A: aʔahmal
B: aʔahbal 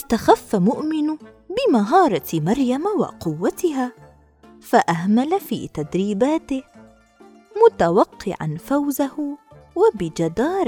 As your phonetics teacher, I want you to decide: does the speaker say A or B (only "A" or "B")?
A